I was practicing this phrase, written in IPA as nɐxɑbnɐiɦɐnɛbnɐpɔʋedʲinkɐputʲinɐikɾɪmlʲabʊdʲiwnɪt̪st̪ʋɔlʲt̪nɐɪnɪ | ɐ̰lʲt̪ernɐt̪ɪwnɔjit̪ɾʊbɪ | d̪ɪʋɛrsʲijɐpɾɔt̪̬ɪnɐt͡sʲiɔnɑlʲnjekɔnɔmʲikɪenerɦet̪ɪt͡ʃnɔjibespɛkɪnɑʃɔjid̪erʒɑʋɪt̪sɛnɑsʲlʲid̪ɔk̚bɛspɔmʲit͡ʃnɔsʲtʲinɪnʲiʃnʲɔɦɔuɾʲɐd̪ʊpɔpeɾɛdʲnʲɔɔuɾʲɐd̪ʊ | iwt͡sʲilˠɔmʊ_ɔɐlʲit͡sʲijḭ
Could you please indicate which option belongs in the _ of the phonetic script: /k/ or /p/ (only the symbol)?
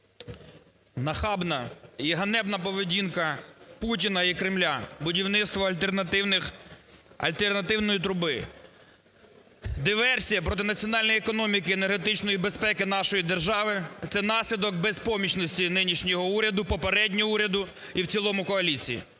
k